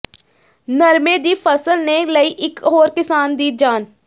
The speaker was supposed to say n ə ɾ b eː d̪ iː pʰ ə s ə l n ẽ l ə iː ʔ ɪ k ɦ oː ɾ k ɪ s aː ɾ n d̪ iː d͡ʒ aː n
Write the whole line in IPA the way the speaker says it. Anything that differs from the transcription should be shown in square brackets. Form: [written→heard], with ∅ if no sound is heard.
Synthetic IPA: n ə ɾ [b→m] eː d̪ iː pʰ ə s ə l n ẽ l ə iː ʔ ɪ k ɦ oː ɾ k ɪ s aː [ɾ→∅] n d̪ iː d͡ʒ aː n